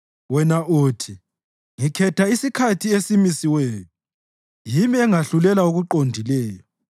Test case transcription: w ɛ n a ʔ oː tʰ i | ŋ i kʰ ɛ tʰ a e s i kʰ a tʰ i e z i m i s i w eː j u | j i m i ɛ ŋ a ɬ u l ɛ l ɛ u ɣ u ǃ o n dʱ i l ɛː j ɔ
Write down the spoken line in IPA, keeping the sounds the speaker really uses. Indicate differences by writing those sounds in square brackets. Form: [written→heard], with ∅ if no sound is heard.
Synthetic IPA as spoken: w ɛ n a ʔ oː tʰ i | ŋ i kʰ ɛ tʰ a [e→i] s i kʰ a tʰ i e [z→s] i m i s i w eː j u | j i m i ɛ ŋ a ɬ u l ɛ l [ɛ→a] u ɣ u ǃ o n dʱ i l ɛː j ɔ